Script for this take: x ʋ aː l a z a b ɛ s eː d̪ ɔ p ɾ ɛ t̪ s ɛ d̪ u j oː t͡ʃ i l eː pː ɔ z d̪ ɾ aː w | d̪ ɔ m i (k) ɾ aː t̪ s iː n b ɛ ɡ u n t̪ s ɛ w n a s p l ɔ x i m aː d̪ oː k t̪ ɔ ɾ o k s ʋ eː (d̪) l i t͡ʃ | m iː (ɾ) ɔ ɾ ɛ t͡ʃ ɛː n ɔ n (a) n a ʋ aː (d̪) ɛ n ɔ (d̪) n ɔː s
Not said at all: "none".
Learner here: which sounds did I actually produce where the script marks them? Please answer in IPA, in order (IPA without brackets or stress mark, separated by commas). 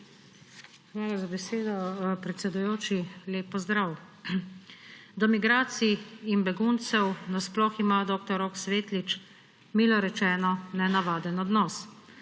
ɡ, t̪, l, ɛ, d̪, d̪